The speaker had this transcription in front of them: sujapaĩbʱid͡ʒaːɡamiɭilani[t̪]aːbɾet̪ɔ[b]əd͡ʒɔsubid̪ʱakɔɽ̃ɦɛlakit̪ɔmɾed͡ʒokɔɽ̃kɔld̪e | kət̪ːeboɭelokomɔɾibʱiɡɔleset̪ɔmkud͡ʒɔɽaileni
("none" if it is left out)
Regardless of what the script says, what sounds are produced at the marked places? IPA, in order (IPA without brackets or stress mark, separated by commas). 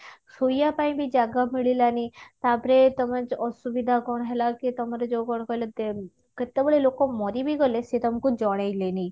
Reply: t̪, m